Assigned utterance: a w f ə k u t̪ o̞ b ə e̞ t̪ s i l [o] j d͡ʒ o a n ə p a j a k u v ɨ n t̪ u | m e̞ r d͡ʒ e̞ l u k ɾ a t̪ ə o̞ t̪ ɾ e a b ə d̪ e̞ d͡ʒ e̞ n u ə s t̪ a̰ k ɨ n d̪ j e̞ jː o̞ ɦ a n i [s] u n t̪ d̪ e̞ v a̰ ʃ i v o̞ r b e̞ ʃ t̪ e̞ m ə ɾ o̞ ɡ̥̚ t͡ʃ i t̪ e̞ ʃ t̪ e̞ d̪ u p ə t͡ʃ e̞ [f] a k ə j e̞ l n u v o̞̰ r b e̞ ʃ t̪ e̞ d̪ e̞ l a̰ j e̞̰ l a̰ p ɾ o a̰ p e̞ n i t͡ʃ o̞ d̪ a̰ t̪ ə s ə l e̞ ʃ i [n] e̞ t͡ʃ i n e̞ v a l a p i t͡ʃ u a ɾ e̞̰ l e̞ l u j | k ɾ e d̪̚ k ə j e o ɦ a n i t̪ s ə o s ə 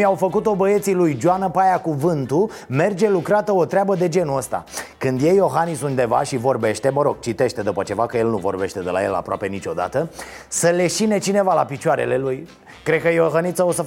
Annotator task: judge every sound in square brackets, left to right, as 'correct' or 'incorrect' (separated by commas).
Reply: incorrect, correct, incorrect, correct